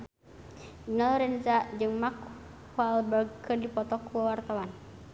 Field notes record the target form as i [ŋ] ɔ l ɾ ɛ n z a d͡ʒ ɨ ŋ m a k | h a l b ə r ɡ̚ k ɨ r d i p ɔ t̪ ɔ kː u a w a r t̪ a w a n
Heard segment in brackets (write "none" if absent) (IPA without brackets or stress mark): n